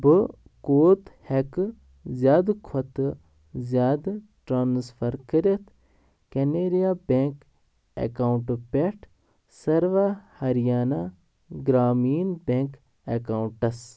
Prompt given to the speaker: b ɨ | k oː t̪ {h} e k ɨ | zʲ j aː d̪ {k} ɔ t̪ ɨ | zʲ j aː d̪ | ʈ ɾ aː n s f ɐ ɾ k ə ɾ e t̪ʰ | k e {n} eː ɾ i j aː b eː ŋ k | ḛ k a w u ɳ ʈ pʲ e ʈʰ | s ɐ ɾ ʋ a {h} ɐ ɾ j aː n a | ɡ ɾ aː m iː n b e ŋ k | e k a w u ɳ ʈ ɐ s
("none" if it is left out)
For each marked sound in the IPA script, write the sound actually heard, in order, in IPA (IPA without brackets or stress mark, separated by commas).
h, kʰ, n, h